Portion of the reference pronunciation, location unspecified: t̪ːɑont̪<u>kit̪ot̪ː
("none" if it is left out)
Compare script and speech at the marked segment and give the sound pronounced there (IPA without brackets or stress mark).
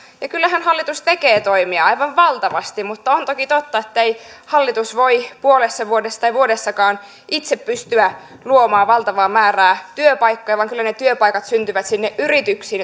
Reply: o